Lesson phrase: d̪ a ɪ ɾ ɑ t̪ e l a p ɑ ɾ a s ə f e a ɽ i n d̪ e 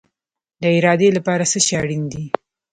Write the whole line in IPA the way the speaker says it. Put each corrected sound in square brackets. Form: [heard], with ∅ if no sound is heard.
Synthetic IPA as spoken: d̪ [ə] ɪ ɾ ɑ [d̪] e l a p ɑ ɾ a s ə [ʃ] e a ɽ i n d̪ [i]